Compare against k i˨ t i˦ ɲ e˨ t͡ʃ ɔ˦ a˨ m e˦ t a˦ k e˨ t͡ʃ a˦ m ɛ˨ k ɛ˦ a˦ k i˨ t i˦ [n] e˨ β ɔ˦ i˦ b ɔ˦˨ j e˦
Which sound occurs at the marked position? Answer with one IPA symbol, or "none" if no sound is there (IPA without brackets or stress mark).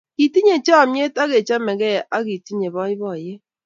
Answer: ɲ